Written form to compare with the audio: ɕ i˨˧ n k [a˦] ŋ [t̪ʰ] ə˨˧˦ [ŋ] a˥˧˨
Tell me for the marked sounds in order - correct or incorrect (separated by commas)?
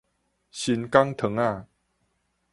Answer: correct, correct, correct